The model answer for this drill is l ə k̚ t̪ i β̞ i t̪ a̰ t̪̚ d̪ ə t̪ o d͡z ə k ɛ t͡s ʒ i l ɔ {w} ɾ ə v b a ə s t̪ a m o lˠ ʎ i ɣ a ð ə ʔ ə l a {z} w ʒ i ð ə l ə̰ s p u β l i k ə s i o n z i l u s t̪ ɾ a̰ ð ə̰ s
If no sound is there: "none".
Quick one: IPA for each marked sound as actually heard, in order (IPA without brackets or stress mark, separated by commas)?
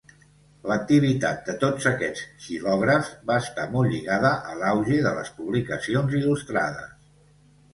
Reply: ɣ, none